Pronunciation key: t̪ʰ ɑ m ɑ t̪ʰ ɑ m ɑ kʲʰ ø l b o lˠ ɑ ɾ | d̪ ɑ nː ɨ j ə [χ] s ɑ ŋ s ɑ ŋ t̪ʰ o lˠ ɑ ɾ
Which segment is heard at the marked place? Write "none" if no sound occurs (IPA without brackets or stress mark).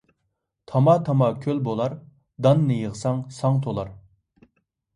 ʁ